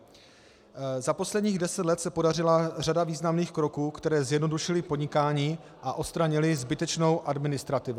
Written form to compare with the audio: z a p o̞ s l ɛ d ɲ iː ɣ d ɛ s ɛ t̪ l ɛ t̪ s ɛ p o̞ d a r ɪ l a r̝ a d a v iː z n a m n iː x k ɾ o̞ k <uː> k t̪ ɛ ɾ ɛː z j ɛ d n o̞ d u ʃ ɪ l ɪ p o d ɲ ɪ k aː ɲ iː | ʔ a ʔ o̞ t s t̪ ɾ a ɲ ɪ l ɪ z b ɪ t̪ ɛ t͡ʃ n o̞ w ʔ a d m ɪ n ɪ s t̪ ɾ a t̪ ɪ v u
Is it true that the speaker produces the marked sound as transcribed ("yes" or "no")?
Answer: yes